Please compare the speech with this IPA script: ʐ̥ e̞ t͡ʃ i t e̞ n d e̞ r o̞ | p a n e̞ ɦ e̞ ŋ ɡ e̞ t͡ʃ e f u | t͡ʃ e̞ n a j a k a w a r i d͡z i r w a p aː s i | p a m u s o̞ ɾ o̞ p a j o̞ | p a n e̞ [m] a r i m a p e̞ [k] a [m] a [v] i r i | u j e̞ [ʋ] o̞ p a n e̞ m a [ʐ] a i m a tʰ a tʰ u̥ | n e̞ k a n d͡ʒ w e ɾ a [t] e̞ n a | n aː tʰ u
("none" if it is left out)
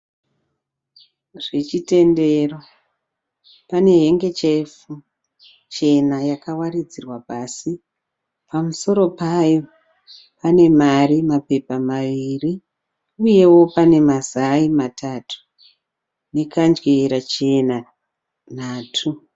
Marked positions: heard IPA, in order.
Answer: m, p, m, ʋ, w, z, t͡ʃ

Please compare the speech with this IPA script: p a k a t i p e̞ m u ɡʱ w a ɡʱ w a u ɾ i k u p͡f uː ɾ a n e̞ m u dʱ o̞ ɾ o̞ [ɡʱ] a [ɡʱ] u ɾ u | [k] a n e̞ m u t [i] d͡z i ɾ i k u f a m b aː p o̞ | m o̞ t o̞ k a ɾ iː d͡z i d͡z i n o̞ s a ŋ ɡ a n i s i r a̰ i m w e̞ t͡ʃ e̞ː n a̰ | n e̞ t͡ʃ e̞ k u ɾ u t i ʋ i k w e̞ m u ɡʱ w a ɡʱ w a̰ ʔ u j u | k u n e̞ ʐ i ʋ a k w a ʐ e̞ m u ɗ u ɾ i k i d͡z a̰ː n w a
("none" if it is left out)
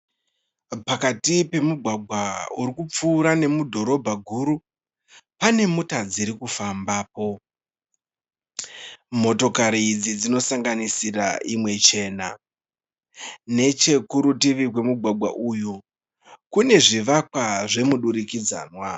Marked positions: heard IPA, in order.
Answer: bʱ, ɡʱ, p, a

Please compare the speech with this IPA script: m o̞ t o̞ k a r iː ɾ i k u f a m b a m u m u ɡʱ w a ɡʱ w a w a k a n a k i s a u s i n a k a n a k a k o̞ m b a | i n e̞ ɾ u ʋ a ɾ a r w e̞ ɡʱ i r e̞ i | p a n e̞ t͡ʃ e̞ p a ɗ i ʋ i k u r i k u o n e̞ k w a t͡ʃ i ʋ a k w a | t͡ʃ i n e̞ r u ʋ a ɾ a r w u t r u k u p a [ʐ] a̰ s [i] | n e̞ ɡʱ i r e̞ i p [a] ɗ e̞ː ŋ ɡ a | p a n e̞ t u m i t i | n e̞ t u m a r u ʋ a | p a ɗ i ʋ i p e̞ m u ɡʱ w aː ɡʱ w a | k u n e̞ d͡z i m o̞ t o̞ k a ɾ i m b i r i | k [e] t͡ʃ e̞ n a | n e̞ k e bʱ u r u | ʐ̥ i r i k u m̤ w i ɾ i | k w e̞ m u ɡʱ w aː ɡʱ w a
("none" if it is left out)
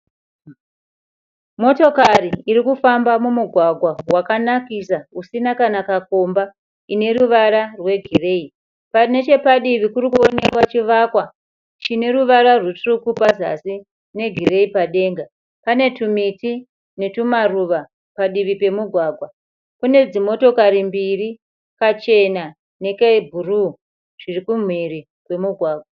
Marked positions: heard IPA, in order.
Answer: z, i, a, a

